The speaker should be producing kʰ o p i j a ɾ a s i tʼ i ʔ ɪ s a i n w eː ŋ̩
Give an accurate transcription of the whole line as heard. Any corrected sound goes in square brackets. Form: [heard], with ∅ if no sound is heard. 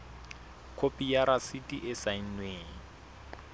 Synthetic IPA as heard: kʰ o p i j a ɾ a s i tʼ i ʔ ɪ s a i n w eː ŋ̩

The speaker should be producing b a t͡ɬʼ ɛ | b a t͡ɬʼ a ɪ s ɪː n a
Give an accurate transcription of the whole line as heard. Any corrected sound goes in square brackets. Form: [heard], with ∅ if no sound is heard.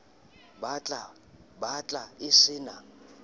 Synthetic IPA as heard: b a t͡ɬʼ [a] | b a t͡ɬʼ a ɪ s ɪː n a

